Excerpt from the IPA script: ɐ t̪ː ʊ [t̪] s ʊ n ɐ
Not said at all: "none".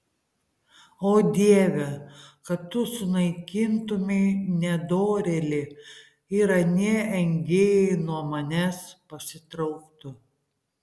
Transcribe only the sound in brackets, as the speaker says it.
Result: none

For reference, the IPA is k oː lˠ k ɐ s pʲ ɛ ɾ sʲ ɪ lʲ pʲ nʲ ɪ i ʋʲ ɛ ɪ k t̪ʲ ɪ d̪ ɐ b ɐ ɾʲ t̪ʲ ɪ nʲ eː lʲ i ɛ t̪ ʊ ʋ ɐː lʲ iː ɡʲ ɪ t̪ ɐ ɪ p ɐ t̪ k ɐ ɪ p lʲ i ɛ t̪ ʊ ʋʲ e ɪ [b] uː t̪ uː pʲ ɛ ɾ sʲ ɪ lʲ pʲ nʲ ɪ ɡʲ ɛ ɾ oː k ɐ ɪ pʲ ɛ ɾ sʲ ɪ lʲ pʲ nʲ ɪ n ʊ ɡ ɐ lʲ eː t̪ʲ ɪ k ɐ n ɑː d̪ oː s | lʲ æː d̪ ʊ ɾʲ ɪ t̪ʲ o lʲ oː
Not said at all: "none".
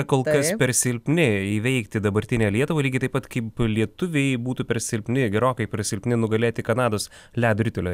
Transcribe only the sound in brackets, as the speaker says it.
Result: b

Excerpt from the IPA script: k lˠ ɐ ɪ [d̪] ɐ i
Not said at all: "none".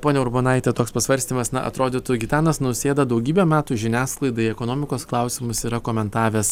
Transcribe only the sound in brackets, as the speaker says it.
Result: d̪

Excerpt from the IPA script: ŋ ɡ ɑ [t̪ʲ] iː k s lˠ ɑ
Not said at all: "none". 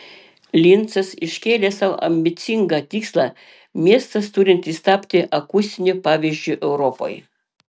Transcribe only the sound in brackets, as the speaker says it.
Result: t̪ʲ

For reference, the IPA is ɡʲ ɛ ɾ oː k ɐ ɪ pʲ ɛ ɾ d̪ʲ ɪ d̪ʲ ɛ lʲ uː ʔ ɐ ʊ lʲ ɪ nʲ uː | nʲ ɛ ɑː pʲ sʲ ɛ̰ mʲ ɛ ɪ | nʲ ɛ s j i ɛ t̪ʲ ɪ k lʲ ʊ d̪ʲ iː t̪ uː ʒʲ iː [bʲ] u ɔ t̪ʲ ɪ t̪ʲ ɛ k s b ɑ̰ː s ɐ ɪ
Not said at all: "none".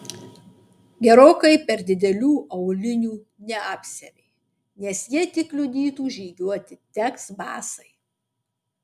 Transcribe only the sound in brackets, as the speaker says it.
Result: ɡʲ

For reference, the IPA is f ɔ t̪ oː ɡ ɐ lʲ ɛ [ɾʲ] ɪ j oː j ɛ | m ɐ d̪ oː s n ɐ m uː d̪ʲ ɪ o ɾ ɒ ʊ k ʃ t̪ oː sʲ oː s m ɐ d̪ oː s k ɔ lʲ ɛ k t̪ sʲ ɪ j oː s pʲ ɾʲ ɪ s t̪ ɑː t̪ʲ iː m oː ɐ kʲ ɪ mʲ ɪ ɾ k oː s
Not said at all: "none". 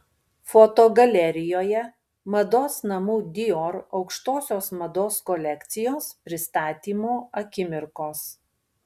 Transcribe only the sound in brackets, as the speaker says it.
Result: ɾʲ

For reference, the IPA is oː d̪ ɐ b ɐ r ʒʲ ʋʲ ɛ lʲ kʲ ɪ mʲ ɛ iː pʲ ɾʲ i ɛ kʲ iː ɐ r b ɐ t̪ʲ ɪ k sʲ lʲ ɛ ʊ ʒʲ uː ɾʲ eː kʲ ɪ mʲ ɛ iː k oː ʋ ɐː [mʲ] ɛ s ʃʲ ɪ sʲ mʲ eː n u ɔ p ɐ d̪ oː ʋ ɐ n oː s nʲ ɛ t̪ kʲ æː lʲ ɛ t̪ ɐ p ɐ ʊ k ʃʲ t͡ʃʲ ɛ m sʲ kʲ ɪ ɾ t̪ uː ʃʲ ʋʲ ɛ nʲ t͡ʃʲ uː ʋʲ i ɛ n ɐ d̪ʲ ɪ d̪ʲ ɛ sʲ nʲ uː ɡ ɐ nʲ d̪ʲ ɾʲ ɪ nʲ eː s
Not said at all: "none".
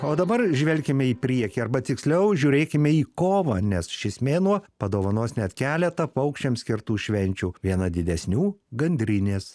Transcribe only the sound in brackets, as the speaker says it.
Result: nʲ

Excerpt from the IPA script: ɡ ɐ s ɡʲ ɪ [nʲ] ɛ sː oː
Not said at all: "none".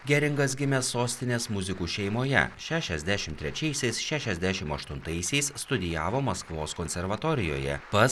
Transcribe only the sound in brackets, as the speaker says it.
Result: mʲ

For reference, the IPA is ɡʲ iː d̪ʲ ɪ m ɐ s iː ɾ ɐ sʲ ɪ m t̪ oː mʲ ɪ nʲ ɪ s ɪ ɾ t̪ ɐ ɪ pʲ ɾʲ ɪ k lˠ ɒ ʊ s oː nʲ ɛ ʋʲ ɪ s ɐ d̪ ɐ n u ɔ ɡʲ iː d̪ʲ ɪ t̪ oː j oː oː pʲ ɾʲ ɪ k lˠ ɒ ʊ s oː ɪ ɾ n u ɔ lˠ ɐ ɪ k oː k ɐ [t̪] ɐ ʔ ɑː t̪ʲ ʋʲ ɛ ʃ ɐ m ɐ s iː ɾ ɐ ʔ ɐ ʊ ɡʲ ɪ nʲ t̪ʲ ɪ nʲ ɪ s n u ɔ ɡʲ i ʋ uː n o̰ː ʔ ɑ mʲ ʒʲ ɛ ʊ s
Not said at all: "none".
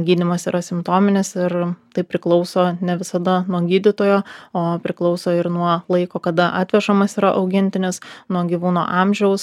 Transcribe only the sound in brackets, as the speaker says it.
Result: d̪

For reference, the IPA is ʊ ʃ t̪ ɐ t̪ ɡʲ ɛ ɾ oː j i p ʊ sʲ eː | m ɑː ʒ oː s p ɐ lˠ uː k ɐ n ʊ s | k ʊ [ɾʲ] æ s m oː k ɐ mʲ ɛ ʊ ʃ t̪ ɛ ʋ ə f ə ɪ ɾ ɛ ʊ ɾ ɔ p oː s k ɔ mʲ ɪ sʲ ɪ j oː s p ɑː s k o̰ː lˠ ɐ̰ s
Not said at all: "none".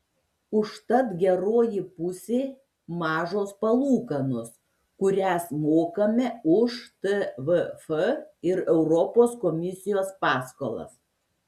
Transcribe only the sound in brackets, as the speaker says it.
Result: ɾʲ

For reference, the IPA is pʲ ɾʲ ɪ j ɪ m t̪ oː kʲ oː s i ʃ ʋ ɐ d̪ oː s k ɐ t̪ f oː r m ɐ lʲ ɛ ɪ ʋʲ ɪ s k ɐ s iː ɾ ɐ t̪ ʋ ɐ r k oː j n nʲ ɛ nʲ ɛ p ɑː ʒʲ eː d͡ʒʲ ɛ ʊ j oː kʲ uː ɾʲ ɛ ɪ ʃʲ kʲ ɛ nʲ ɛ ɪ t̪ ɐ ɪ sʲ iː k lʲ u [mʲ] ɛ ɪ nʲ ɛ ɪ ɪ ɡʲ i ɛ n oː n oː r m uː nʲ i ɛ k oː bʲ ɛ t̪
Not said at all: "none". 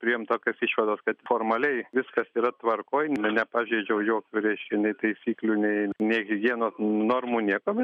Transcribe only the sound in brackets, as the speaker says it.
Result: nʲ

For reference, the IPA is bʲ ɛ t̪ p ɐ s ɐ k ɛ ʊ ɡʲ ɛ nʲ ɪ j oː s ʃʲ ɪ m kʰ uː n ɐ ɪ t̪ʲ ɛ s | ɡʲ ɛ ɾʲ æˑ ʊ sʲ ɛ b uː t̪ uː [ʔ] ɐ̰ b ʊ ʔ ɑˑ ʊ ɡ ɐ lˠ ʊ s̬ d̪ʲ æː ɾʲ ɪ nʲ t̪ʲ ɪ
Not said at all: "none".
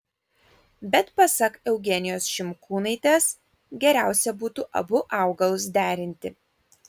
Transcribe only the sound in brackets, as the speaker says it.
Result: ʔ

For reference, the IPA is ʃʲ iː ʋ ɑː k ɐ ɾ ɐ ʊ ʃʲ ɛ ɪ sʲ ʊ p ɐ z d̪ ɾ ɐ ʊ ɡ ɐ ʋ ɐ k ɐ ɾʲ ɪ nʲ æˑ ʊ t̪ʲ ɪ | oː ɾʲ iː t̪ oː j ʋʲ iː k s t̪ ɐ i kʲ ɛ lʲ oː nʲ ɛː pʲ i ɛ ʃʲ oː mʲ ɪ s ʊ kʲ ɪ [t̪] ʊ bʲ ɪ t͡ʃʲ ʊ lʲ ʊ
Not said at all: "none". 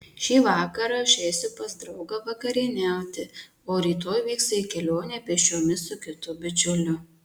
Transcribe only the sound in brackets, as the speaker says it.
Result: t̪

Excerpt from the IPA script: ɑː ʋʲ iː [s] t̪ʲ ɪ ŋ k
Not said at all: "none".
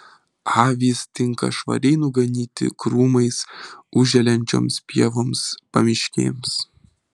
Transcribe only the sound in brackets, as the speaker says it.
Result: s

